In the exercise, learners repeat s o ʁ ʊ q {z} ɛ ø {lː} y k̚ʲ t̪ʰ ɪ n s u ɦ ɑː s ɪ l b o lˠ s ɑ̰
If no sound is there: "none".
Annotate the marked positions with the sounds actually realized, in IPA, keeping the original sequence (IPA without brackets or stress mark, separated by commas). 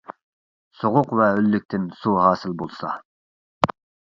v, lː